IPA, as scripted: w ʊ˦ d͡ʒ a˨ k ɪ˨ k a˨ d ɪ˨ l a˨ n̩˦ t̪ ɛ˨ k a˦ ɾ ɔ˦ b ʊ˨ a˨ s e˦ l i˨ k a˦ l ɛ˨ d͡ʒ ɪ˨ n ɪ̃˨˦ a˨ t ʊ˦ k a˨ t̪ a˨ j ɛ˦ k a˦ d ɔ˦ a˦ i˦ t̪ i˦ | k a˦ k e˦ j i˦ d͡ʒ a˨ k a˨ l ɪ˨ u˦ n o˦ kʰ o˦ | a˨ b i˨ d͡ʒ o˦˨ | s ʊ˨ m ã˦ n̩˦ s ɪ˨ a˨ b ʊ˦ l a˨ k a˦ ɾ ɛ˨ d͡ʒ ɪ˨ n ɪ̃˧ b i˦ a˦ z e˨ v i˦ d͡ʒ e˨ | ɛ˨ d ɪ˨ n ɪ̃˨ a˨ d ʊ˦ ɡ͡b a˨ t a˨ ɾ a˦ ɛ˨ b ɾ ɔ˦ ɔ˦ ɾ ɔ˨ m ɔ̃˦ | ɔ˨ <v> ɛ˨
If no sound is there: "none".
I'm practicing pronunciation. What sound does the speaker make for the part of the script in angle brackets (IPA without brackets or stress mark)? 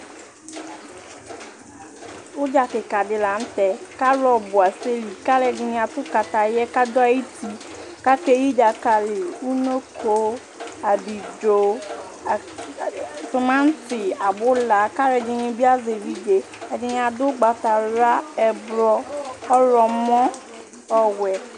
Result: w